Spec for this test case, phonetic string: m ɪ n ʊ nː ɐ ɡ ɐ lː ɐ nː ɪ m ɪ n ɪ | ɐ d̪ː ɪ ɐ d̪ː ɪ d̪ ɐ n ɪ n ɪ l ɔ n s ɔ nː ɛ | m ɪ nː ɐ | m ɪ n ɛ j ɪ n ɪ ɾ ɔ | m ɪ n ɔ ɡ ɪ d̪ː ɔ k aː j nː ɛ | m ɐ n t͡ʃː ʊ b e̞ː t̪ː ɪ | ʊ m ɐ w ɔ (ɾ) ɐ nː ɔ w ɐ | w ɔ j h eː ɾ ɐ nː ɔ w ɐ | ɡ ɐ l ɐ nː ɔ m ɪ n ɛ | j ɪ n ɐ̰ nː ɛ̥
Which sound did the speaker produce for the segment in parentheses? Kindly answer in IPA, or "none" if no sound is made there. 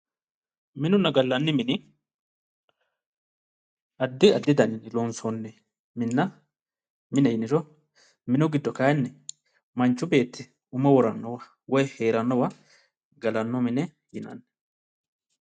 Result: ɾ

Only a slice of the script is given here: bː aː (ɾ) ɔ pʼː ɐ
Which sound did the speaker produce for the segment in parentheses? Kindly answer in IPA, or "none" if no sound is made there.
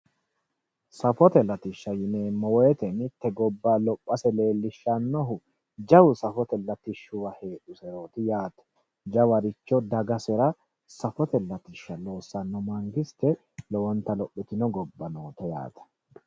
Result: l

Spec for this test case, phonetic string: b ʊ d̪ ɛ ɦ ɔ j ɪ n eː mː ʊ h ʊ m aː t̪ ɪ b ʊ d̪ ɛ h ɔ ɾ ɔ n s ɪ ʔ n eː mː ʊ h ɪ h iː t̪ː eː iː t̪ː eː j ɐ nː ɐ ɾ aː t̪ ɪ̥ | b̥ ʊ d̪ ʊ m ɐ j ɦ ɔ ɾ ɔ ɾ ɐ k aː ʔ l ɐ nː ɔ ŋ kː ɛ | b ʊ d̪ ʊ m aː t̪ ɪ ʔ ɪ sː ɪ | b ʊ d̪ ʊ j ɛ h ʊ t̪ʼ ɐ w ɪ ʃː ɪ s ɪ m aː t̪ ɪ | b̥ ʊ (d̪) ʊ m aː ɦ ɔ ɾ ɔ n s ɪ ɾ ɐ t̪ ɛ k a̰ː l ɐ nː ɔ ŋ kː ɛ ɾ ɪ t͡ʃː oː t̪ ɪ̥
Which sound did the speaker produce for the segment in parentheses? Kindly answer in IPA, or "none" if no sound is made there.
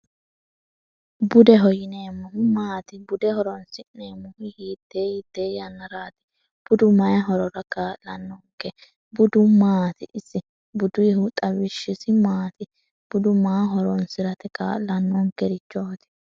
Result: d̪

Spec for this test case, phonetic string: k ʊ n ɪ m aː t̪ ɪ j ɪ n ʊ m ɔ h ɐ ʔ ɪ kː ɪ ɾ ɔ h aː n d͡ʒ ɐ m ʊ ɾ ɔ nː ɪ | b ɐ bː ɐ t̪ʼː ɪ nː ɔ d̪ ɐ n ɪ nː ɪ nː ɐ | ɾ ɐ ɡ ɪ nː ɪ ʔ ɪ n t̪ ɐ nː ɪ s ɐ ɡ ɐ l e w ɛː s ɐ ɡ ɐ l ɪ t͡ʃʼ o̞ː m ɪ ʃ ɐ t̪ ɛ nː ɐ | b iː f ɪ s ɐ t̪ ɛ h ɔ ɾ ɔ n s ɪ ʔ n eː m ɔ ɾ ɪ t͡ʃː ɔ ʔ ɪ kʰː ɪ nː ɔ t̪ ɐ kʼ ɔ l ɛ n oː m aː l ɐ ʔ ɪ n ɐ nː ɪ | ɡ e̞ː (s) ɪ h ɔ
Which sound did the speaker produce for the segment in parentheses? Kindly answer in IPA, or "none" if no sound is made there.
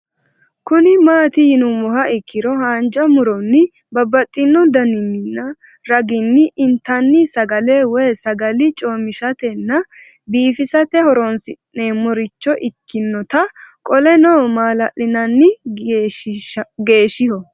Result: ʃ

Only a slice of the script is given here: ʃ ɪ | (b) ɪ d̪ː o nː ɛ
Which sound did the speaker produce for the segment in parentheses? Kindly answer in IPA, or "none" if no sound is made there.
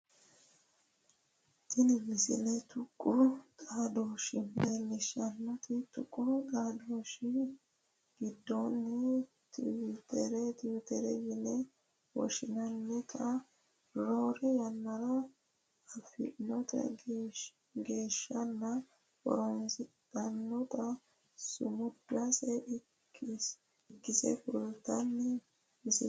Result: ɡ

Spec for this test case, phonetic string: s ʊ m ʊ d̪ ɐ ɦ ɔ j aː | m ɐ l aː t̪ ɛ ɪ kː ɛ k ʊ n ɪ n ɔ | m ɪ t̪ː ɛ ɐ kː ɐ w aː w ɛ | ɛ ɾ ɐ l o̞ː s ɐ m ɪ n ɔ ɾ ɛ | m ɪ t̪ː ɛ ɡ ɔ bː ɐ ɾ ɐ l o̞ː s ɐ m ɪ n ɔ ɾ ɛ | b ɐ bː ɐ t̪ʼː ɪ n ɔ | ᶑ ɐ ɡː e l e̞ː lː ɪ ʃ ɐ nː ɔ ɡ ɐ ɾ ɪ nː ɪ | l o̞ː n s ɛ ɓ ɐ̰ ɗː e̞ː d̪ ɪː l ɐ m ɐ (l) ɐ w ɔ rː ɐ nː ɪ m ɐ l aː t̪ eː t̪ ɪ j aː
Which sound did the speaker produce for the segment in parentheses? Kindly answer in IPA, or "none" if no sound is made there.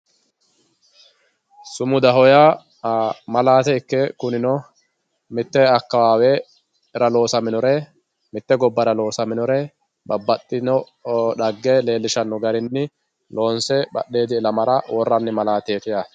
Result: ɾ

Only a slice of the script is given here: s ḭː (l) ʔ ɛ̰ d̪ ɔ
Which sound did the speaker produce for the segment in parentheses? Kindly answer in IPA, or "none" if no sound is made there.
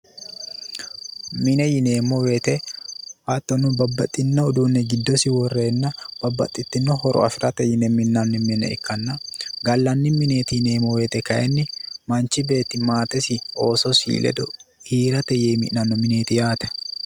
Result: l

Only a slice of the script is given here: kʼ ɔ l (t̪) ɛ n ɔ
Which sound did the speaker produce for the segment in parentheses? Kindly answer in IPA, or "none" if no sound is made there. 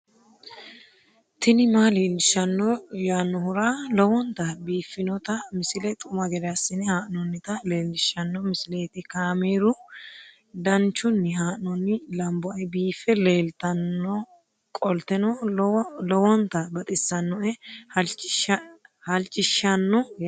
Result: t̪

